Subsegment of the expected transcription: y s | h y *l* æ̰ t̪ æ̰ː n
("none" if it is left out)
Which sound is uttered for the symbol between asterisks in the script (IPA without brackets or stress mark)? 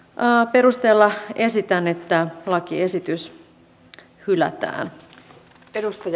l